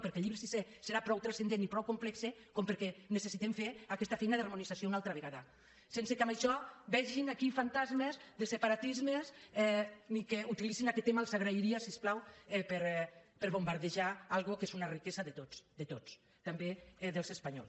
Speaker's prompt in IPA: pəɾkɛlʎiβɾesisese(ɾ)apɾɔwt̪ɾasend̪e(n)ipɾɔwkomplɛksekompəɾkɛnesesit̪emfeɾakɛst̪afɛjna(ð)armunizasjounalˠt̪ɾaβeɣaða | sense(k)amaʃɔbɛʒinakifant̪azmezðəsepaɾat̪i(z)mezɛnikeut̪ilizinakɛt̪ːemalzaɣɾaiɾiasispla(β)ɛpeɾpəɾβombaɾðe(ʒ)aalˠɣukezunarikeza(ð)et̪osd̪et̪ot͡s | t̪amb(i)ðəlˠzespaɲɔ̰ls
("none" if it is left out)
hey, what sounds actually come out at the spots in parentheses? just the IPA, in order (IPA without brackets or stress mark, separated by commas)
ɾ, n, ð, k, z, w, ʒ, ð, e